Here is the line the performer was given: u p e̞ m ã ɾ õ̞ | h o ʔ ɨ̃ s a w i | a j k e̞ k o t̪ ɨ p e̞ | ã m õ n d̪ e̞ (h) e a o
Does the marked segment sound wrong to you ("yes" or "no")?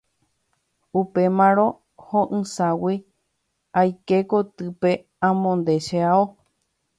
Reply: yes